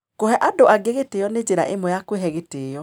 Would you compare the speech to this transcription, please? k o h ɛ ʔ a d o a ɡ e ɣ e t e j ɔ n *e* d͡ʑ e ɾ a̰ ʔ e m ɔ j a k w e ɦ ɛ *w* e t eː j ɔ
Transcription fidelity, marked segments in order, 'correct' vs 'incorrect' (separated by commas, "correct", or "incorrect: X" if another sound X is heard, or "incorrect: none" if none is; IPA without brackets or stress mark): correct, incorrect: ɣ